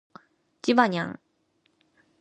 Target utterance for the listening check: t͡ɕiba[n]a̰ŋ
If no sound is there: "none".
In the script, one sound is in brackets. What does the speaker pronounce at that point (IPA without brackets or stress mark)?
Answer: ɲ